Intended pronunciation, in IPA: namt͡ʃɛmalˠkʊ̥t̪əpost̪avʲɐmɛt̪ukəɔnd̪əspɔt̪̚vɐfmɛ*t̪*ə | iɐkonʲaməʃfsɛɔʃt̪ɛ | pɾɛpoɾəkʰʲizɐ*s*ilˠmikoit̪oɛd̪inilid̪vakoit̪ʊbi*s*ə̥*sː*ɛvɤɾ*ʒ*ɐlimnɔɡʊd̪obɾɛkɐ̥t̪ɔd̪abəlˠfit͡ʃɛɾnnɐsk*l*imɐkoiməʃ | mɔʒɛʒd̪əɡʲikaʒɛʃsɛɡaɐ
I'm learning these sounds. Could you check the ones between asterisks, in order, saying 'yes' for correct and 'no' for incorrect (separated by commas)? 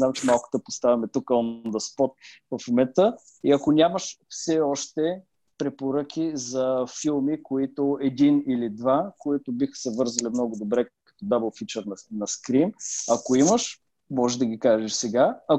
yes, no, no, no, no, no